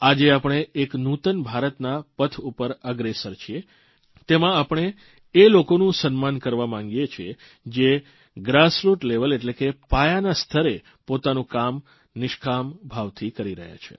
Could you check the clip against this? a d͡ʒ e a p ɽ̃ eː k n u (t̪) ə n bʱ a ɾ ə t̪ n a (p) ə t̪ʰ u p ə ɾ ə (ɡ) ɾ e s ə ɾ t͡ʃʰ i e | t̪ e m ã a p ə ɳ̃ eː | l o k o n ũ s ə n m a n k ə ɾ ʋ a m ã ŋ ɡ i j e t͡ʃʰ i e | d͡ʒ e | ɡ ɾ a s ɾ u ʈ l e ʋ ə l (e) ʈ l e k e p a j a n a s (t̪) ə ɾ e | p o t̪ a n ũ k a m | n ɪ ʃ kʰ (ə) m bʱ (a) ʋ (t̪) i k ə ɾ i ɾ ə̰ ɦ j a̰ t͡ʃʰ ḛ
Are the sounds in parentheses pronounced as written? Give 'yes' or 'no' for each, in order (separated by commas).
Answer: yes, yes, yes, yes, no, no, yes, no